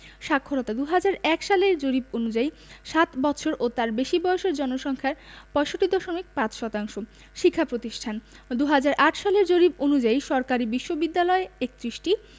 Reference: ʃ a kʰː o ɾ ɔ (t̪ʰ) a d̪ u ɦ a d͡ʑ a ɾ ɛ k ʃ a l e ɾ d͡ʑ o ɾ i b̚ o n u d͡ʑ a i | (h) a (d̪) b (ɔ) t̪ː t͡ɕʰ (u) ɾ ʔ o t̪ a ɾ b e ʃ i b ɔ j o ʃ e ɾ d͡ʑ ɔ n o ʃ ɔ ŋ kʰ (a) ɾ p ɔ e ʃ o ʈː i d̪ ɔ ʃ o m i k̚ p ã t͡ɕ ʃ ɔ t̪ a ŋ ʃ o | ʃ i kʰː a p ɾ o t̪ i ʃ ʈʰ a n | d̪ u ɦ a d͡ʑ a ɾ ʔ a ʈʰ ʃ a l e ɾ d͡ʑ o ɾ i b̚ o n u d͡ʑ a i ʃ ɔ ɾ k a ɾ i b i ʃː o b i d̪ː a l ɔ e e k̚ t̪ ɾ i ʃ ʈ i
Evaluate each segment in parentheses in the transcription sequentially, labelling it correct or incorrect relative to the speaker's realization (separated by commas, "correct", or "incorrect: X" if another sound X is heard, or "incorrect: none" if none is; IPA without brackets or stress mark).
incorrect: t̪, incorrect: ʃ, incorrect: t̪, correct, incorrect: o, correct